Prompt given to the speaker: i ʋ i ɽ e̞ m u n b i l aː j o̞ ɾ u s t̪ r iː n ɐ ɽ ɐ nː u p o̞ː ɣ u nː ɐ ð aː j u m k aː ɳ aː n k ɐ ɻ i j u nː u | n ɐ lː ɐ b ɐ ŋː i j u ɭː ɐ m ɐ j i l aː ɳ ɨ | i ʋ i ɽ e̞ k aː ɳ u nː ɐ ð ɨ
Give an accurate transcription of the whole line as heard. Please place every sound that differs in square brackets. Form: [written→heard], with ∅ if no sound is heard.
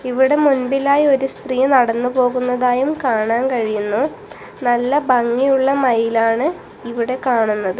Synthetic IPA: i ʋ i ɽ e̞ m u n b i l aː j o̞ ɾ u s t̪ r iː n ɐ ɽ ɐ nː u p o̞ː ɣ u nː ɐ ð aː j u m k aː ɳ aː n k ɐ ɻ i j u nː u | n ɐ lː ɐ b ɐ ŋː i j u ɭː ɐ m ɐ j i l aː ɳ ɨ | i ʋ i ɽ e̞ k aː ɳ u nː ɐ ð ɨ